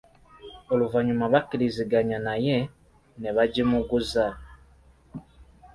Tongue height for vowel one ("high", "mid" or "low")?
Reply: mid